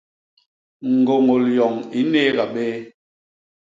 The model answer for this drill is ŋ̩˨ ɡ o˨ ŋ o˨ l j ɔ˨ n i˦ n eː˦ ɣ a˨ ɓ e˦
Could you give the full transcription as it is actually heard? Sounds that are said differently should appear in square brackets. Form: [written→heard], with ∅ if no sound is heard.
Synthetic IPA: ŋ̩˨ ɡ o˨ ŋ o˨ l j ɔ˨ [n→ŋ] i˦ n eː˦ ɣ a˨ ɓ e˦